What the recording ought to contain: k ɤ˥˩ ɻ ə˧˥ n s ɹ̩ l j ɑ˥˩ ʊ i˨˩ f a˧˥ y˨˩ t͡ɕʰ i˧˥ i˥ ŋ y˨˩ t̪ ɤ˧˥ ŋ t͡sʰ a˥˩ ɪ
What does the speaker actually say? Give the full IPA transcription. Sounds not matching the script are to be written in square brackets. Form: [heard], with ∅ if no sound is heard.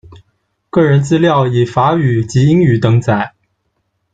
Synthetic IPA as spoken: k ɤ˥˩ ɻ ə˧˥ n [t͡s] ɹ̩ l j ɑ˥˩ ʊ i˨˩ f a˧˥ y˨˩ [t͡ɕ] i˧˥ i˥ ŋ y˨˩ t̪ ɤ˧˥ ŋ [t͡s] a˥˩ ɪ